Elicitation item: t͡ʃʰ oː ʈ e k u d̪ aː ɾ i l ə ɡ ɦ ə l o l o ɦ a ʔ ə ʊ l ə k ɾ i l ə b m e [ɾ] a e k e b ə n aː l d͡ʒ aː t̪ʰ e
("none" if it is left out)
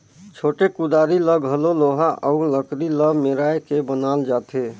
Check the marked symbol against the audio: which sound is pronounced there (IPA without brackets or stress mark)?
ɾ